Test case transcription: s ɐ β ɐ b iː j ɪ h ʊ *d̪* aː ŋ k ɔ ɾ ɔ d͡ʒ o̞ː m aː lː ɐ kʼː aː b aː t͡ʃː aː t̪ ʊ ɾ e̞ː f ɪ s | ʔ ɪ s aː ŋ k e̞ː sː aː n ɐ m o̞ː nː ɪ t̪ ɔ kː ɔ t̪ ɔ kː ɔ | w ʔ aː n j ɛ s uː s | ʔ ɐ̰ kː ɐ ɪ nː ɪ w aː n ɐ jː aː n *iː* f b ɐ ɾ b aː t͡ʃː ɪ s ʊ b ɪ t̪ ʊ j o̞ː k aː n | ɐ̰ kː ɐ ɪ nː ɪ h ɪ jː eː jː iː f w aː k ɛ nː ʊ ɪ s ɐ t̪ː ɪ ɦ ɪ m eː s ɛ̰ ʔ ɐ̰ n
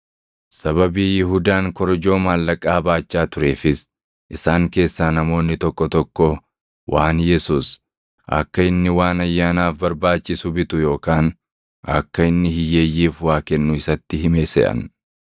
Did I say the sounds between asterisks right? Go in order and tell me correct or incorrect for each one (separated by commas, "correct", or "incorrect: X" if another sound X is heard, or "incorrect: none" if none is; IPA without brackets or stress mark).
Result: correct, incorrect: aː